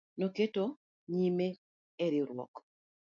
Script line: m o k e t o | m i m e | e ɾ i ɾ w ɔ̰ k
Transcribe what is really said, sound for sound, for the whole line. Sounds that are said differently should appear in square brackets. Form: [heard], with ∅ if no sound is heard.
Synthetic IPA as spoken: [n] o k e t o | [ɲ] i m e | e ɾ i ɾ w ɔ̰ k